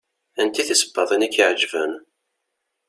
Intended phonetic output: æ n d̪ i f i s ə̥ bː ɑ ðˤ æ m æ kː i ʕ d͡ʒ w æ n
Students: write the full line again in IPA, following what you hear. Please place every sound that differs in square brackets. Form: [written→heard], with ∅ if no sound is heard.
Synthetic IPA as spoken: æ n [d̪→t̪] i [f→θ] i s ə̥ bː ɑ ðˤ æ [m→n] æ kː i ʕ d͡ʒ [w→v] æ n